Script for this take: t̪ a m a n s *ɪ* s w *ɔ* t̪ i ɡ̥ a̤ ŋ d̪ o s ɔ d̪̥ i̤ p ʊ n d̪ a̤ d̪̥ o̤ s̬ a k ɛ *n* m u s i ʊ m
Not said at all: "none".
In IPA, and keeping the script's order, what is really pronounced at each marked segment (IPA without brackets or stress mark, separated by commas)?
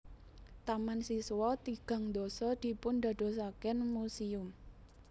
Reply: i, ɔ, n